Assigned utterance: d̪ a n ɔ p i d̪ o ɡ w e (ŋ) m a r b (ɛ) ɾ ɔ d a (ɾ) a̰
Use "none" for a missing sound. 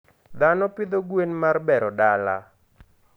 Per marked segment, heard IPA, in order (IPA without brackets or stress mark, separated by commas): n, ɛ, l